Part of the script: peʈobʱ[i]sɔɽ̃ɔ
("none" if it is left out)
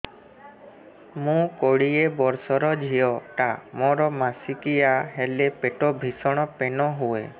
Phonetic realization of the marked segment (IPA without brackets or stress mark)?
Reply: i